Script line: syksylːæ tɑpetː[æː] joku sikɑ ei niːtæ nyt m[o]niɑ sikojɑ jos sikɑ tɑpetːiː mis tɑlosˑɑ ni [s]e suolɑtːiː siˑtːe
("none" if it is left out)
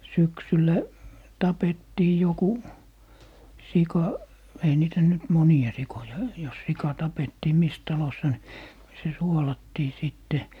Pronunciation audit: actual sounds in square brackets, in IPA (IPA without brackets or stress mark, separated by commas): iː, o, s